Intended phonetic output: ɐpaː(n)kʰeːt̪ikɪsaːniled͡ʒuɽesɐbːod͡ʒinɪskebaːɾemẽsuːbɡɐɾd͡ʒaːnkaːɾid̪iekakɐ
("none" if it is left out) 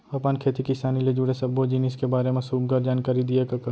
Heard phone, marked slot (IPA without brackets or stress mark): n